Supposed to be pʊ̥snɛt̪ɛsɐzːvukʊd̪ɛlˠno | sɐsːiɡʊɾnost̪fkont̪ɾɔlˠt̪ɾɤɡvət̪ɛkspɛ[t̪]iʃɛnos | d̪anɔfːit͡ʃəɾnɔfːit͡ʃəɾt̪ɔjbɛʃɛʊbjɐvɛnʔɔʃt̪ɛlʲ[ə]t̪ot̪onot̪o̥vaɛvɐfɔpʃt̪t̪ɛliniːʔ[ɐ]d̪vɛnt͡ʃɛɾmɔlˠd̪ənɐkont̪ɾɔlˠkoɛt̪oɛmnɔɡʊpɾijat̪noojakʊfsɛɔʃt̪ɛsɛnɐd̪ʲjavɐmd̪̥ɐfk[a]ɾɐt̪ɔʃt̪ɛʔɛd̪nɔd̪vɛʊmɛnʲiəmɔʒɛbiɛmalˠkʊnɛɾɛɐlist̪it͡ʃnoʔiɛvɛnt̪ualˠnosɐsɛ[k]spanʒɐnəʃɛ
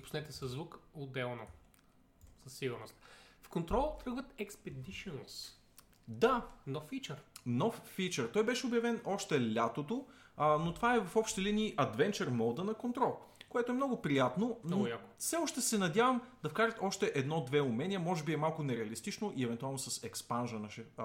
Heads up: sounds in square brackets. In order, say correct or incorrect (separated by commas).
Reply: incorrect, incorrect, correct, correct, correct